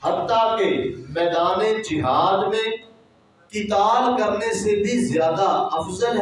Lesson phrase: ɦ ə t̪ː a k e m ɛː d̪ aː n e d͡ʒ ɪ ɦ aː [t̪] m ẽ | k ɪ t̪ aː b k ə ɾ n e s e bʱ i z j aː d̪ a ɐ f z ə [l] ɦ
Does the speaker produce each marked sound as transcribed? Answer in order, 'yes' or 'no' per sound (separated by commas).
no, yes